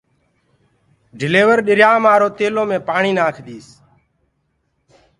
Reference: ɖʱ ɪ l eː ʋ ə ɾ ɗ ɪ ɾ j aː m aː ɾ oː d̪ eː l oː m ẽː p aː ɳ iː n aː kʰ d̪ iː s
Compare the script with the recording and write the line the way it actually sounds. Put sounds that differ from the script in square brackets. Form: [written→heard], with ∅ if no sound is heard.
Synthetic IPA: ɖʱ ɪ l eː ʋ ə ɾ ɗ ɪ ɾ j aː m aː ɾ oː [d̪→t̪] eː l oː m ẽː p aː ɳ iː n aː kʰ d̪ iː s